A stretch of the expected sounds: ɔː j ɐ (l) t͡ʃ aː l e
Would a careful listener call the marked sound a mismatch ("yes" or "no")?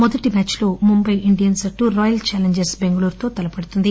no